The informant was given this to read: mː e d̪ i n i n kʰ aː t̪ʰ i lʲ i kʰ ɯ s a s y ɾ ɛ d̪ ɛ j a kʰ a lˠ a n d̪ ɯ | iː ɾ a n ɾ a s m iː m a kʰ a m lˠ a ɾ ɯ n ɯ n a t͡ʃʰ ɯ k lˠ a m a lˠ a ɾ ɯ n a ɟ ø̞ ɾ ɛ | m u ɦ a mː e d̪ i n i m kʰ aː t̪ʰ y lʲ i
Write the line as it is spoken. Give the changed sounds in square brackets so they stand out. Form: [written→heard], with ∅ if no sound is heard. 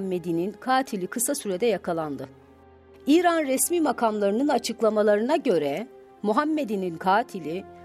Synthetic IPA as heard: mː e d̪ i n i n kʰ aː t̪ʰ i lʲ i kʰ ɯ s a s y ɾ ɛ d̪ ɛ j a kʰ a lˠ a n d̪ ɯ | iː ɾ a n ɾ [a→ɛ] s m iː m a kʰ a m lˠ a ɾ ɯ n ɯ n a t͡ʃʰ ɯ k lˠ a m a lˠ a ɾ ɯ n a ɟ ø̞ ɾ ɛ | m u ɦ a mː e d̪ i n i [m→n] kʰ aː t̪ʰ [y→i] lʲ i